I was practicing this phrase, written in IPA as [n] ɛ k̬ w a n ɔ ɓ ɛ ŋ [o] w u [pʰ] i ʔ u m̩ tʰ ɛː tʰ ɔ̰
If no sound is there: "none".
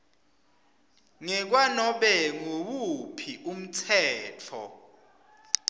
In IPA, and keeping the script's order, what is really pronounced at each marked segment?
ŋ, o, pʰ

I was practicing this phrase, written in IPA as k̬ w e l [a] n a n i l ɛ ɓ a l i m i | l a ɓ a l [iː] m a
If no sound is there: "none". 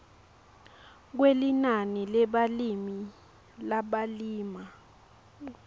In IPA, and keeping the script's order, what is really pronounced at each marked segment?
i, iː

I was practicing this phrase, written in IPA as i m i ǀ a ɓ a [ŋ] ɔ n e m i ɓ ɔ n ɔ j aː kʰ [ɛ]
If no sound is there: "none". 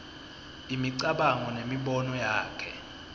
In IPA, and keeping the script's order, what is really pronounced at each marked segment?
ŋ, ɛ

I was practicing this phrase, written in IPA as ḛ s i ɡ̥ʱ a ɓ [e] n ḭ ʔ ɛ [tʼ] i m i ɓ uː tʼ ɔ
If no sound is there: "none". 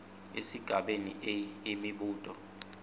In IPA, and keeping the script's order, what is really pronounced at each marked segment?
e, none

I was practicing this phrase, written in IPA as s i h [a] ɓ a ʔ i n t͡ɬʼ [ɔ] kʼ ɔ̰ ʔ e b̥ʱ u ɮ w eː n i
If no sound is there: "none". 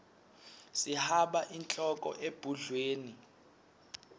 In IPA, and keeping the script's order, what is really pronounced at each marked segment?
a, ɔ

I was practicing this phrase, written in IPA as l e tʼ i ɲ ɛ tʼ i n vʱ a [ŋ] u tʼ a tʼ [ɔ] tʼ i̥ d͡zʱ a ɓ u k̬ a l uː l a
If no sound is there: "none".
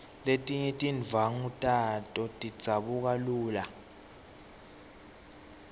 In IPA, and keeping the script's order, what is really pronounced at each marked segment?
ŋ, ɔ

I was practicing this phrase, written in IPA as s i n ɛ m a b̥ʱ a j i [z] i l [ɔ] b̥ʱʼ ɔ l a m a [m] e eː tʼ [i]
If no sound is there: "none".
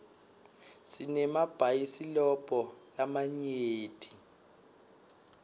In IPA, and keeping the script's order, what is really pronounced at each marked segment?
s, ɔ, ɲ, i

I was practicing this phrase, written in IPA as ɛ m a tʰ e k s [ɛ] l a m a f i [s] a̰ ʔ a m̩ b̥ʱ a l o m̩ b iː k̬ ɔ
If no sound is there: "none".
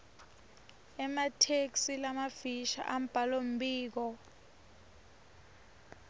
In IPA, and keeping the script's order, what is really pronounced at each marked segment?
i, ʃ

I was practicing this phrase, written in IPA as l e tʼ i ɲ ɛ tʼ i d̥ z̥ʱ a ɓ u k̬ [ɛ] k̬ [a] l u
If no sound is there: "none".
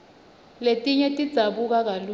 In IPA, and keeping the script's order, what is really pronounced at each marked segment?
a, a

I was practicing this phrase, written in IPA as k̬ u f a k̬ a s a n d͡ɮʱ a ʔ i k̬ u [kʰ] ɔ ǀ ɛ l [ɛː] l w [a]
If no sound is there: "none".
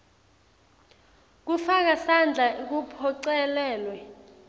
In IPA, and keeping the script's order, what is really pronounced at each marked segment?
pʰ, ɛː, ɛ

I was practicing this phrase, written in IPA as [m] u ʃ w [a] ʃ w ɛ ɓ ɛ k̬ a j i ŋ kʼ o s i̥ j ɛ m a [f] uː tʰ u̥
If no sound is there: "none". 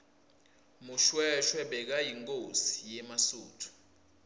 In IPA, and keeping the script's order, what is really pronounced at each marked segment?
m, ɛ, s

